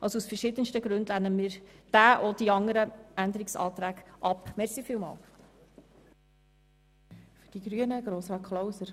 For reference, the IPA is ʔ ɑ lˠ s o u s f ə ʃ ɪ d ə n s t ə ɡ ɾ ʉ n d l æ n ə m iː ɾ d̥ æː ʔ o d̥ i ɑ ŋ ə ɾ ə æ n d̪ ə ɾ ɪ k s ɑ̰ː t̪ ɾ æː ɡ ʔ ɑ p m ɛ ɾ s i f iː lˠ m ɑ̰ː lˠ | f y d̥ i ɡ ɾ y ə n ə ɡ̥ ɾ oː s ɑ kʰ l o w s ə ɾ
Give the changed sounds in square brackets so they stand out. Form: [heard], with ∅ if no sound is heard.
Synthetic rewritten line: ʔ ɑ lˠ s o u s f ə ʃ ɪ d ə n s t ə ɡ ɾ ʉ n d l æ n ə m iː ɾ d̥ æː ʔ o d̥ i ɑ ŋ ə ɾ ə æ n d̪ ə ɾ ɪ k s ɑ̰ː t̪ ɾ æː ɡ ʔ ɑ p m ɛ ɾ s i f iː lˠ m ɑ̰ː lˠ | f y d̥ i ɡ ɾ y ə n ə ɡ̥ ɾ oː s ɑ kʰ l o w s ə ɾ